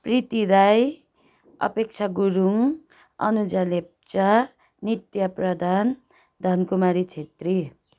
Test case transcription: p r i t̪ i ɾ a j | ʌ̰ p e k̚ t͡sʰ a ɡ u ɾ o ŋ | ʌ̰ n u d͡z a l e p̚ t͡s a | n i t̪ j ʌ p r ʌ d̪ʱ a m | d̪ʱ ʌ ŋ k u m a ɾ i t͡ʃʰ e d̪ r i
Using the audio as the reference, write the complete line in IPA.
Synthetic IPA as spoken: p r i t̪ i ɾ a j | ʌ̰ p e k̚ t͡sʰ a ɡ u ɾ u ŋ | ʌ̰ n u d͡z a l e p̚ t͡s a | n i t̪ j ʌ p r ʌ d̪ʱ a n | d̪ʱ ʌ n k u m a ɾ i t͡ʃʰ e t̪ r i